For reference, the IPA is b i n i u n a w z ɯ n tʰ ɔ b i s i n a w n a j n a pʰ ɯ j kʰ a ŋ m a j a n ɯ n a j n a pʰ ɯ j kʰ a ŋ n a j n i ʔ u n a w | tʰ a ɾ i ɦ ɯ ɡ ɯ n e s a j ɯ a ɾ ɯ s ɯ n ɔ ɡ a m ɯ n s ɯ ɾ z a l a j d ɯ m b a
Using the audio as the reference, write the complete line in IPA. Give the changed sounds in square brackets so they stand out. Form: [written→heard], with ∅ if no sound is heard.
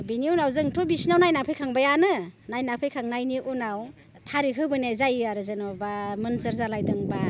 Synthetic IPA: b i n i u n a w z ɯ [n→ŋ] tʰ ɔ b i s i n a w n a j n a pʰ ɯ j kʰ a ŋ [m→b] a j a n ɯ n a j n a pʰ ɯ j kʰ a ŋ n a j n i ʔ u n a w | tʰ a ɾ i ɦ ɯ [ɡ→b] ɯ n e [s→z] a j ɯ a ɾ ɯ [s→z] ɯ n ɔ [ɡ→b] a m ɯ n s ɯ ɾ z a l a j d ɯ [m→ŋ] b a